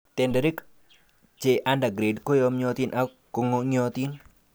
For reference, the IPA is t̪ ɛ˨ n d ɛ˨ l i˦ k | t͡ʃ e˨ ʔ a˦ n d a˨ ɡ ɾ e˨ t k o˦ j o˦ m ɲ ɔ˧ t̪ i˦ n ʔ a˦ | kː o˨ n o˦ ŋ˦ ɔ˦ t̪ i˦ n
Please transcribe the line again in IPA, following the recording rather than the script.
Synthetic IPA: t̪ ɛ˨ n d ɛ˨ ɾ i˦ k | t͡ʃ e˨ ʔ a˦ n d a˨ ɡ ɾ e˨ d k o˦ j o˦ m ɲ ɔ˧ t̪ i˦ n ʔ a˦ | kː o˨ ŋ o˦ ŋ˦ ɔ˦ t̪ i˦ n